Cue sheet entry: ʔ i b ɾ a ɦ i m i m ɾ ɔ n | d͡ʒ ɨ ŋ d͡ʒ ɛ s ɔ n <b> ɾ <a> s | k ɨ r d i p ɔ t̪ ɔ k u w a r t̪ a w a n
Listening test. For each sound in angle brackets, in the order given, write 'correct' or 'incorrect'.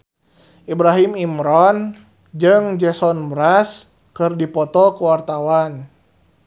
correct, correct

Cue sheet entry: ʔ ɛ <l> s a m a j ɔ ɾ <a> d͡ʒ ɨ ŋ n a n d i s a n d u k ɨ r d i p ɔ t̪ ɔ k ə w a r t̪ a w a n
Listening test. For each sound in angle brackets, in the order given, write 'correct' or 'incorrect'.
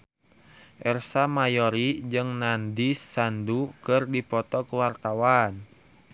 incorrect: r, incorrect: i

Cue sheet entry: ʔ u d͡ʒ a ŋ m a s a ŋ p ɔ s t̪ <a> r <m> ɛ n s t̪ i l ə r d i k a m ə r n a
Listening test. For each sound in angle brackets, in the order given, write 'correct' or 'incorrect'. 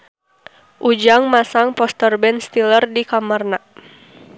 incorrect: ə, incorrect: b

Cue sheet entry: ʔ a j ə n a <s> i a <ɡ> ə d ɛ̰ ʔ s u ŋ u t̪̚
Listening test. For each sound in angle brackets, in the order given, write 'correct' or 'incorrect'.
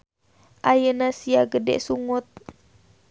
correct, correct

